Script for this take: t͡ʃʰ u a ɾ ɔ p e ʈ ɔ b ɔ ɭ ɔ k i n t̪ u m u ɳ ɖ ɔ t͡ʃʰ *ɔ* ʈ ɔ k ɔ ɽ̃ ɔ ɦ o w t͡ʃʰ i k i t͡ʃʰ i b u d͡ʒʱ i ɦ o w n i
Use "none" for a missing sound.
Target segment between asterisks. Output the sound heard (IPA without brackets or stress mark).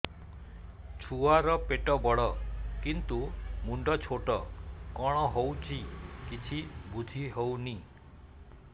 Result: o